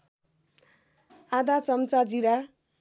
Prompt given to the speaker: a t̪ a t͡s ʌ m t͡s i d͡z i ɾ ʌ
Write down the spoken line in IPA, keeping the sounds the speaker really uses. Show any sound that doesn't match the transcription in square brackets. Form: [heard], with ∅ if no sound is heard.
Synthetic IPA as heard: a [d̪] a t͡s ʌ m t͡s [a] d͡z i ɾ [a]